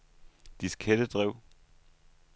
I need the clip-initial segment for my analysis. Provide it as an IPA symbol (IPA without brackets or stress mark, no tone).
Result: d̥